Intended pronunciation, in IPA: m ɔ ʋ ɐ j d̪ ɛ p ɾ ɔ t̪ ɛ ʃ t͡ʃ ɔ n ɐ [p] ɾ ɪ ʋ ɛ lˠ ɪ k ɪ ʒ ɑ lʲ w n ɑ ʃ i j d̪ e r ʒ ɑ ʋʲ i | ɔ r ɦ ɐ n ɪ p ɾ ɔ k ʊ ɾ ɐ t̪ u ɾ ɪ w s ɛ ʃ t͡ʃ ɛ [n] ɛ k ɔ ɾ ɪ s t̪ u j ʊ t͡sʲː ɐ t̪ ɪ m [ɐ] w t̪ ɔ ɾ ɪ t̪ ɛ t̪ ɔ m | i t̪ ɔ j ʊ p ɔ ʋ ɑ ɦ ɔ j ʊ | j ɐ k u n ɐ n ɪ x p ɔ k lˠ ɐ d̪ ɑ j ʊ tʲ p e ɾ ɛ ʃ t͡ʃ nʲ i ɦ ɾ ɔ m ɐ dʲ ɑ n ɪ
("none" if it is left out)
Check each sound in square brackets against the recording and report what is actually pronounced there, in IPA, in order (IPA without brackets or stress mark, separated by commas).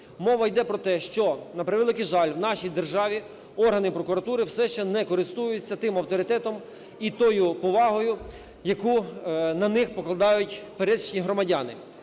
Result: p, n, ɐ